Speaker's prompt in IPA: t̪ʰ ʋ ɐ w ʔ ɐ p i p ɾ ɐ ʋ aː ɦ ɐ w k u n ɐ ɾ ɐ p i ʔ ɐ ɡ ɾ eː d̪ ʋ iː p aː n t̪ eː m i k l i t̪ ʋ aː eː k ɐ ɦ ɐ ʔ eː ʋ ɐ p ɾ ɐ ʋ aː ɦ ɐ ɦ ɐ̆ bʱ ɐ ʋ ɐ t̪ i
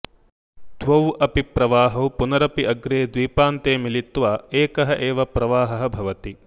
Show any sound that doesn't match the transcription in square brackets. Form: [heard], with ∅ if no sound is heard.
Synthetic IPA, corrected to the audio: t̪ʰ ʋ ɐ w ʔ ɐ p i p ɾ ɐ ʋ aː ɦ ɐ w [p] u n ɐ ɾ ɐ p i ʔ ɐ ɡ ɾ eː d̪ ʋ iː p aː n t̪ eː m i [∅] l i t̪ ʋ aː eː k ɐ ɦ ɐ ʔ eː ʋ ɐ p ɾ ɐ ʋ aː ɦ ɐ ɦ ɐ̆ bʱ ɐ ʋ ɐ t̪ i

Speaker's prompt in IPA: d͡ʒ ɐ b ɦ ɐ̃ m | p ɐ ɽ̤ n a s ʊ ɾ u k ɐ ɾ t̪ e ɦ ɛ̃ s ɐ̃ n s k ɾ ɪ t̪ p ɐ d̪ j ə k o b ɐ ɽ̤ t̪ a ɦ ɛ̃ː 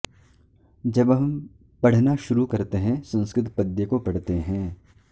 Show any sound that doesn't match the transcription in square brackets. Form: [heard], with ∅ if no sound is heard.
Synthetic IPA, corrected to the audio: d͡ʒ ɐ b ɦ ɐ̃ m | p ɐ ɽ̤ n a [ʃ] ʊ ɾ u k ɐ ɾ t̪ e ɦ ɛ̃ s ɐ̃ n s k ɾ ɪ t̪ p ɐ d̪ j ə k o [p] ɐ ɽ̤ t̪ [e] ɦ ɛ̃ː

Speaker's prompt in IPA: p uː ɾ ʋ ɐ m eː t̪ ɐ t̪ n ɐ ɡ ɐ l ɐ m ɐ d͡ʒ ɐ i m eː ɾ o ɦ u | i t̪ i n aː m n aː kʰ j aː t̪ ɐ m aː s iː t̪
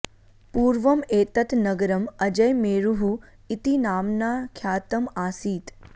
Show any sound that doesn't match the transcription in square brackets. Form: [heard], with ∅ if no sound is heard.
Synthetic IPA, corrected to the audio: p uː ɾ ʋ ɐ m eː t̪ ɐ t̪ n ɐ ɡ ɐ [ɾ] ɐ m ɐ d͡ʒ ɐ [j] m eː ɾ [u] ɦ u | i t̪ i n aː m n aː kʰ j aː t̪ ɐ m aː s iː t̪

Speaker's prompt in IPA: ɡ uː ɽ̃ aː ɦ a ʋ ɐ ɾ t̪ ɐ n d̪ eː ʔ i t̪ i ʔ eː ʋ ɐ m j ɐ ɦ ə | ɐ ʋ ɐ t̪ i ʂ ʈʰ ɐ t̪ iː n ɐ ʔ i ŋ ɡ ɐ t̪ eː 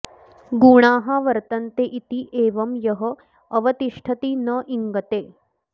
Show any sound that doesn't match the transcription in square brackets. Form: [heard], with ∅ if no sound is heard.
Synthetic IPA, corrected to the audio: ɡ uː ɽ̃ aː ɦ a ʋ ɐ ɾ t̪ ɐ n [t̪] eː ʔ i t̪ i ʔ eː ʋ ɐ m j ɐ ɦ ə | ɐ ʋ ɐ t̪ i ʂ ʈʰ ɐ t̪ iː n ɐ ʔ i ŋ ɡ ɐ t̪ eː

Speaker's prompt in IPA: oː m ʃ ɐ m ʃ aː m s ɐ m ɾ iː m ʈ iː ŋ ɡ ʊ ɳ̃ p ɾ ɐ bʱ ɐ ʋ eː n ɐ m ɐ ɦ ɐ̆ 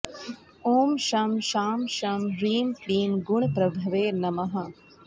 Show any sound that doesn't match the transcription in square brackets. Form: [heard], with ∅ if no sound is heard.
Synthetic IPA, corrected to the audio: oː m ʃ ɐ m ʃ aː m [ʃ] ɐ m ɾ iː m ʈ iː [m] ɡ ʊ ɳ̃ p ɾ ɐ bʱ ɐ ʋ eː n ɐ m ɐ ɦ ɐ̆

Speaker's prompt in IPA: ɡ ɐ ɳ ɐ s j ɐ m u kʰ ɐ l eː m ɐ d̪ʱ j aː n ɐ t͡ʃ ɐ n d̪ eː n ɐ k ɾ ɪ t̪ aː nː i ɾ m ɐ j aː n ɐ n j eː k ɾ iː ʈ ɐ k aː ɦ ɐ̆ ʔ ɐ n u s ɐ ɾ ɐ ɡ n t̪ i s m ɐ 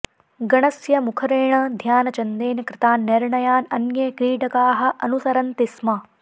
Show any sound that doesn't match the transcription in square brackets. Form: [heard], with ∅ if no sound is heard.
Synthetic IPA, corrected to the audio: ɡ ɐ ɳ ɐ s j ɐ m u kʰ ɐ [ɾ] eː [ɳ] ɐ d̪ʱ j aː n ɐ t͡ʃ ɐ n d̪ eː n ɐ k ɾ ɪ t̪ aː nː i ɾ [ɳ] ɐ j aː n ɐ n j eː k ɾ iː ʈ ɐ k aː ɦ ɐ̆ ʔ ɐ n u s ɐ ɾ ɐ [∅] n t̪ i s m ɐ

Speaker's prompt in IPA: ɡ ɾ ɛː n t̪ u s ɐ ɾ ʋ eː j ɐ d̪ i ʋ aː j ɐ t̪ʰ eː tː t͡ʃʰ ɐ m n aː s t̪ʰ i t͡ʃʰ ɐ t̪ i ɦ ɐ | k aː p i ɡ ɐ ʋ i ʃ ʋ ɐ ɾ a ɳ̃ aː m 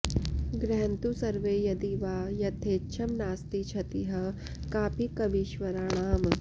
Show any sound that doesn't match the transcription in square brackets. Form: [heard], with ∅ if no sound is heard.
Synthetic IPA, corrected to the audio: ɡ ɾ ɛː n t̪ u s ɐ ɾ ʋ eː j ɐ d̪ i ʋ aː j ɐ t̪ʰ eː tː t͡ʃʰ ɐ m n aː s [t̪] i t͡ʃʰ ɐ t̪ i ɦ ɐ | k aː p i [k] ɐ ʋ i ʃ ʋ ɐ ɾ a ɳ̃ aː m

